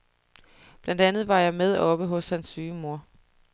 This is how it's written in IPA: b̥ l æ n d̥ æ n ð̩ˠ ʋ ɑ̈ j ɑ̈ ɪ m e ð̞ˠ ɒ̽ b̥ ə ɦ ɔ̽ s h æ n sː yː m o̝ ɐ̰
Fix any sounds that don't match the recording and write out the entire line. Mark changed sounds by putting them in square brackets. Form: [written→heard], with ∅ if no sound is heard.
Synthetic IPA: b̥ l æ n d̥ æ n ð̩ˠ ʋ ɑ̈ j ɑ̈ ɪ m e ð̞ˠ ɒ̽ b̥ ə ɦ ɔ̽ s h æ n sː yː m o̝ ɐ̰